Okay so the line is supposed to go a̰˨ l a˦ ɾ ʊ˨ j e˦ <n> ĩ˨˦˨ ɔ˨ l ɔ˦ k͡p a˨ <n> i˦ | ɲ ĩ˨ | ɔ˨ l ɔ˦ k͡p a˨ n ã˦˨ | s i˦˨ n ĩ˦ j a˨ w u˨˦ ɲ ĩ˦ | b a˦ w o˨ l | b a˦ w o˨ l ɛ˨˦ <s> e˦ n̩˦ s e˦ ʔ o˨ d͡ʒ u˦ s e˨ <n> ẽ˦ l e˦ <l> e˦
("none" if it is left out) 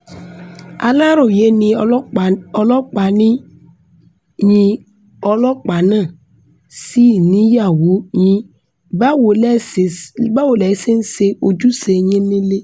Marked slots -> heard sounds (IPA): n, n, s, ɲ, l

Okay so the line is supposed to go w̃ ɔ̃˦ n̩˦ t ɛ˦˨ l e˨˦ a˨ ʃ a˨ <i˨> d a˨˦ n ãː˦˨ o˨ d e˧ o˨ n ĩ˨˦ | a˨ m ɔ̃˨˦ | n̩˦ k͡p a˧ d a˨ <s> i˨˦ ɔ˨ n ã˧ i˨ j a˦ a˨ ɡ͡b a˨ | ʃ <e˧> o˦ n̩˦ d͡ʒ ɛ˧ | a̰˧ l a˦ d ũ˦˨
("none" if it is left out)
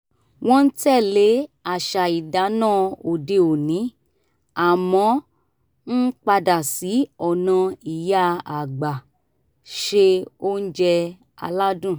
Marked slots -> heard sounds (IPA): i˨, s, e˧

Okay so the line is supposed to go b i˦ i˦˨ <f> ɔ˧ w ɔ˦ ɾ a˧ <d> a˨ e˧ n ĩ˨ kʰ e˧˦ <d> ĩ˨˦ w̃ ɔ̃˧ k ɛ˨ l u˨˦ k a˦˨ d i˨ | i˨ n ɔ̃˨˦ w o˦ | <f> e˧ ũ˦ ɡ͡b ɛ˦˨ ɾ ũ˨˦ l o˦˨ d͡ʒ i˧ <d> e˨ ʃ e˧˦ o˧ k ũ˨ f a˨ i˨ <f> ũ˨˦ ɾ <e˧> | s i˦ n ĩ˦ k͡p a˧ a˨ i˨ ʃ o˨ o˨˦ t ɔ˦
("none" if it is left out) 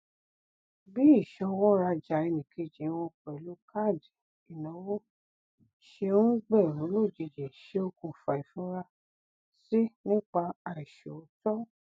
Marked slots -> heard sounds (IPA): ʃ, d͡ʒ, d͡ʒ, ʃ, d͡ʒ, f, a˧

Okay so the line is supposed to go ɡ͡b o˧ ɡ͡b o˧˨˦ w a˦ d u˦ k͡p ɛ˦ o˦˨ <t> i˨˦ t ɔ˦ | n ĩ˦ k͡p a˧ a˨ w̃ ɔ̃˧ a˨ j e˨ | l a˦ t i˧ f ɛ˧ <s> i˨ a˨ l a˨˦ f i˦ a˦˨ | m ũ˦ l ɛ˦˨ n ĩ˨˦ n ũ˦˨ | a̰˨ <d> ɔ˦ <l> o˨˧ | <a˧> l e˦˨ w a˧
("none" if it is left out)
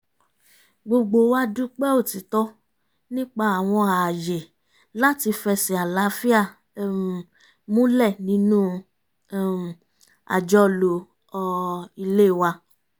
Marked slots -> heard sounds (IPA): t, s, d͡ʒ, l, i˧

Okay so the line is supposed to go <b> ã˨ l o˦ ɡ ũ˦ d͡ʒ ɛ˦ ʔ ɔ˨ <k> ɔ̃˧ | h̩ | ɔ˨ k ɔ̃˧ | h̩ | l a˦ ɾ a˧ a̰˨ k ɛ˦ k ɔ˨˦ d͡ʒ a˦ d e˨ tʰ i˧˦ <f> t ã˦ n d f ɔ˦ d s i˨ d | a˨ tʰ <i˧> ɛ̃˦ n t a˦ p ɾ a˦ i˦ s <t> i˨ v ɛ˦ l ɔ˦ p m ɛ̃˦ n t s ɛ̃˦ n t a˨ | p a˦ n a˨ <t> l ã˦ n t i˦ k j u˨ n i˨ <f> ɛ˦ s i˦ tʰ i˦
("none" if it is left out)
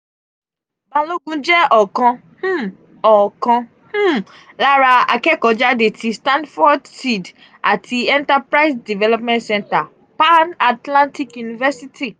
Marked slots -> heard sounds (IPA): b, k, s, i˧, d, t, v

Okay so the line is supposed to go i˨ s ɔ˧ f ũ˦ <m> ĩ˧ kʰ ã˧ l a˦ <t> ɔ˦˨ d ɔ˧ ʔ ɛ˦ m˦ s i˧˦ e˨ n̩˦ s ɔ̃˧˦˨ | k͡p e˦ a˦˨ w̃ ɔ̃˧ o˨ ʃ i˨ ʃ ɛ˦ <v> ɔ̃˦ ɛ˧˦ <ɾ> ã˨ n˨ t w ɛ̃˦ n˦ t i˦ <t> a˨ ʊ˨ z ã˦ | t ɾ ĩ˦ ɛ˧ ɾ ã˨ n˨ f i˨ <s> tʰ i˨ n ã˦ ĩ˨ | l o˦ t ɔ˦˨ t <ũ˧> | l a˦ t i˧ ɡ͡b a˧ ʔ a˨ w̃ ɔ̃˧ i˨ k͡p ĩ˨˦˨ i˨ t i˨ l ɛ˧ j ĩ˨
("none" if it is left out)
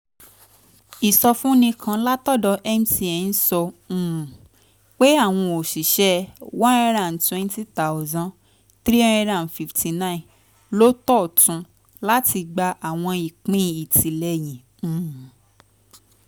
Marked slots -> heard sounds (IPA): n, t, w, ɾ, t, f, ũ˧

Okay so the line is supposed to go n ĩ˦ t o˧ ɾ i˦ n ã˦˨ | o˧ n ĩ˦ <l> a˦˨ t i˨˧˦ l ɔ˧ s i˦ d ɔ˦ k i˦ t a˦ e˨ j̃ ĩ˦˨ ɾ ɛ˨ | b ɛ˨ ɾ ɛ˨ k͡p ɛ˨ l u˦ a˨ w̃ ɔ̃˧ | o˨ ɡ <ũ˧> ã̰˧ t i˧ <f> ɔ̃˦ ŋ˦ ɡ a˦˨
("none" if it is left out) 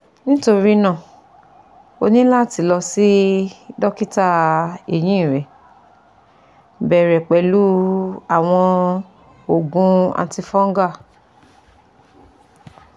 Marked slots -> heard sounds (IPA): l, ũ˧, f

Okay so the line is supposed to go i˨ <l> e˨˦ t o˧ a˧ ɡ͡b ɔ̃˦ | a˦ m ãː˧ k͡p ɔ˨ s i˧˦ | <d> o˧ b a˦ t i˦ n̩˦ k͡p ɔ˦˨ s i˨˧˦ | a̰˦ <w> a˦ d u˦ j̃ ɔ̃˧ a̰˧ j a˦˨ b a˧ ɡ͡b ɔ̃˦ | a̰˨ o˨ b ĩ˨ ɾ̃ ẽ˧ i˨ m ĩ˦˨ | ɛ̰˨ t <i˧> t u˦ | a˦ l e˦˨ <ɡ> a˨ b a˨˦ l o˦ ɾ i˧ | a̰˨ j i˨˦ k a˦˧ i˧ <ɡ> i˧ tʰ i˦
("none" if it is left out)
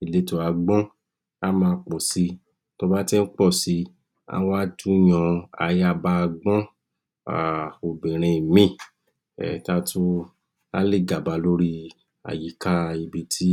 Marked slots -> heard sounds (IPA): l, t, w, a˧, ɡ, b

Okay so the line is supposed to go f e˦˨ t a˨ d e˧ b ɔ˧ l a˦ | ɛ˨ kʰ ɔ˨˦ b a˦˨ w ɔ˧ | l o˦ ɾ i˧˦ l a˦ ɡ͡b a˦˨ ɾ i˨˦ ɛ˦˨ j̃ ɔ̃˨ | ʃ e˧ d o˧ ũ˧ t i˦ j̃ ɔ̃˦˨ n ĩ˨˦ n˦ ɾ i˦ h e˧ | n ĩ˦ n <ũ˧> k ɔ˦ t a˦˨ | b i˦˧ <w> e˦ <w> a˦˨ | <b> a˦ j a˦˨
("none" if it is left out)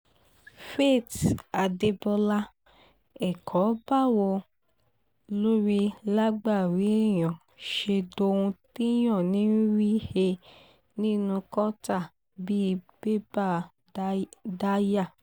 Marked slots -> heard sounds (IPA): ũ˧, b, b, d

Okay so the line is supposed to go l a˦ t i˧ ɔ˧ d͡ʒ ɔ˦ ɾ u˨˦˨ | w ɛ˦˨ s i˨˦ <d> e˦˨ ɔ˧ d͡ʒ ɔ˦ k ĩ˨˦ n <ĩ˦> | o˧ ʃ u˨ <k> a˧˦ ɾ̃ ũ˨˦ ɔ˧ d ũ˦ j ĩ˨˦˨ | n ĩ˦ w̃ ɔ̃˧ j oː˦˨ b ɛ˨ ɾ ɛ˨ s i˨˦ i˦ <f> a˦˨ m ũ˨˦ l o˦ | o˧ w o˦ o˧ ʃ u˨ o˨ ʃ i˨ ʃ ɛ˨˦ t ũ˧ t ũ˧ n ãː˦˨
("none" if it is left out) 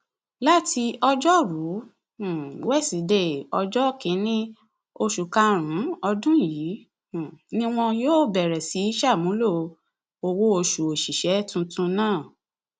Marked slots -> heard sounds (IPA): d, ĩ˦, k, ʃ

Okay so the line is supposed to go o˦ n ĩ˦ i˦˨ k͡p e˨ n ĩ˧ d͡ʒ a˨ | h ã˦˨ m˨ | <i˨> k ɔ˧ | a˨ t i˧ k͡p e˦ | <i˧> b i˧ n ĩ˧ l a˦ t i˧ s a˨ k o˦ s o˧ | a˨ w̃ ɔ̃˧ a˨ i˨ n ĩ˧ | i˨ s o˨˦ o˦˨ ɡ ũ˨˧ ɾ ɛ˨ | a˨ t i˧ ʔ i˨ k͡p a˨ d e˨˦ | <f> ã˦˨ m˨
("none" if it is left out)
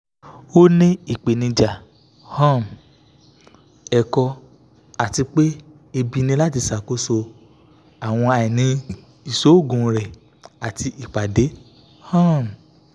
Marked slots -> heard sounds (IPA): ɛ˨, e˧, h

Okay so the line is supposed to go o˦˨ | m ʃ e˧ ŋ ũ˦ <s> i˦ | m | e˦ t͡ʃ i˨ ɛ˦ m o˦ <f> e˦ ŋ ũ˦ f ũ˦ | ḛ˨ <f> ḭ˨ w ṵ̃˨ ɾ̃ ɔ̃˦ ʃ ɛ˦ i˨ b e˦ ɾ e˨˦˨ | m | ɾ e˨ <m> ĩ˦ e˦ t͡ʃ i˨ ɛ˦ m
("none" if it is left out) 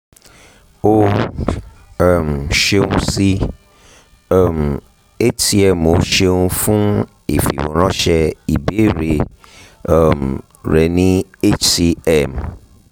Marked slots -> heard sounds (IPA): s, ʃ, f, n

